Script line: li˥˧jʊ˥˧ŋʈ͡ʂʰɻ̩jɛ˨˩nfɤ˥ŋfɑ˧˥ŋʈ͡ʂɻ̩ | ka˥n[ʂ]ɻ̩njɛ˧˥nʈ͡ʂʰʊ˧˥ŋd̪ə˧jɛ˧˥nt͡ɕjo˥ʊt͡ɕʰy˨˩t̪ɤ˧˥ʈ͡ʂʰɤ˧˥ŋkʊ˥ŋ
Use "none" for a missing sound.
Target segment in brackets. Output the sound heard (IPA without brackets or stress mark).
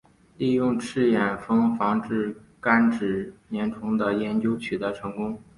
ʈ͡ʂ